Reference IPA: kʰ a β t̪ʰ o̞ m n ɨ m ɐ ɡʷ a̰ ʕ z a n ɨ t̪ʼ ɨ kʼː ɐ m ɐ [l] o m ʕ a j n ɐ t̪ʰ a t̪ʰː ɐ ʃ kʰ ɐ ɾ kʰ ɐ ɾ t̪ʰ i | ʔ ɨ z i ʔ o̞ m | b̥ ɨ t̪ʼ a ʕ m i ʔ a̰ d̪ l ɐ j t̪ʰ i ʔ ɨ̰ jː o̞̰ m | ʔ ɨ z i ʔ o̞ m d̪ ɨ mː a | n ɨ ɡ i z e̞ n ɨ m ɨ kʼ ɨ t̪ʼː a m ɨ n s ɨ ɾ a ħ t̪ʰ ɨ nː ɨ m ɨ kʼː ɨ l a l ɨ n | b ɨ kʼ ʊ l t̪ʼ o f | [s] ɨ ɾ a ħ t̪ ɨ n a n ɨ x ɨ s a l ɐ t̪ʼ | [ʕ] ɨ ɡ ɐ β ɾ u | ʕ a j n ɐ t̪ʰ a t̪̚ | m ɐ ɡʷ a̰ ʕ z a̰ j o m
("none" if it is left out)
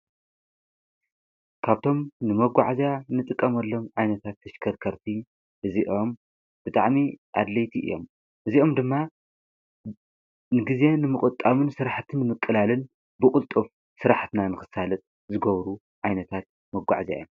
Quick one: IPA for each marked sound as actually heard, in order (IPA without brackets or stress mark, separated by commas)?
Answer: lː, s, z